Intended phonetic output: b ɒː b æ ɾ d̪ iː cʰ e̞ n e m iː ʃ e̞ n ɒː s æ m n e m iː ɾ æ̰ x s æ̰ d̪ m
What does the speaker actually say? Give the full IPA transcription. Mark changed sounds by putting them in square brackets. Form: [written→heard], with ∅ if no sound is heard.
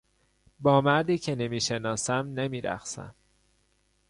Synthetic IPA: b ɒː [b→m] æ ɾ d̪ iː cʰ e̞ n e m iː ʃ e̞ n ɒː s æ m n e m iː ɾ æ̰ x s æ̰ [d̪→∅] m